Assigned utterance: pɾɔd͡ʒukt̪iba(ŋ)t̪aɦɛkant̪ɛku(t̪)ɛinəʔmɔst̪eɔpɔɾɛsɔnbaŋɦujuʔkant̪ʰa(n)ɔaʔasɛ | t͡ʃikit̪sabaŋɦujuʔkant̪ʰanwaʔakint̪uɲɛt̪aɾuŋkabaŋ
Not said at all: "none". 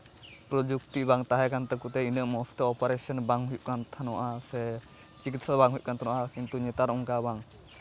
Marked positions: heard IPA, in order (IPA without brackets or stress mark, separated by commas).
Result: ŋ, t̪, n